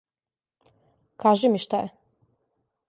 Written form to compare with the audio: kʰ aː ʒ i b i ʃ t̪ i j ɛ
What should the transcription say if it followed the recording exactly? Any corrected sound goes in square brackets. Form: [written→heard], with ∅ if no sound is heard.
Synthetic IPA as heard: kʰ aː ʒ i [b→m] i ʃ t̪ [i→a] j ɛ